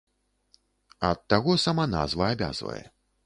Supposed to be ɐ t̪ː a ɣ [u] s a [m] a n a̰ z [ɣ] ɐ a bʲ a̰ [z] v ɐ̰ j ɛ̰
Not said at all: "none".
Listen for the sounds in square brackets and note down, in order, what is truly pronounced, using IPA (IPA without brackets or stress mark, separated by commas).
ɔ, m, v, z